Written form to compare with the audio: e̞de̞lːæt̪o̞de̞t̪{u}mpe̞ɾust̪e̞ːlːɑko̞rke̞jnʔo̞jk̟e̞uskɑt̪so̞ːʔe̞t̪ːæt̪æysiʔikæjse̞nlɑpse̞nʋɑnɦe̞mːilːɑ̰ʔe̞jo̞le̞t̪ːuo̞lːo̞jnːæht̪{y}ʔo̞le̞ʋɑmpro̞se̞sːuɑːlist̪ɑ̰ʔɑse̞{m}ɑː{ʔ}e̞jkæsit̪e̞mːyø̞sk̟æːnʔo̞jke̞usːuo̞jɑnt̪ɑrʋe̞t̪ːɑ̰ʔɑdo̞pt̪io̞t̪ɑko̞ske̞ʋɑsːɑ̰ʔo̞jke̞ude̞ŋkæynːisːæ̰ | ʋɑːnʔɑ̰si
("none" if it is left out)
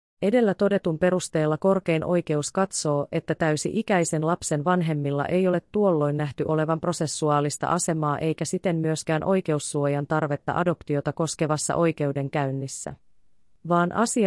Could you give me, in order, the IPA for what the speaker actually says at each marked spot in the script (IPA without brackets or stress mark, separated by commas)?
u, y, m, ʔ